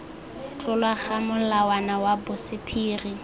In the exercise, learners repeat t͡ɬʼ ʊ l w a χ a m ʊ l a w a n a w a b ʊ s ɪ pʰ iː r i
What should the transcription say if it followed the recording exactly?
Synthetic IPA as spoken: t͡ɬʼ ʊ l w a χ a m ʊ l a w a n a w a b ʊ s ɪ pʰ iː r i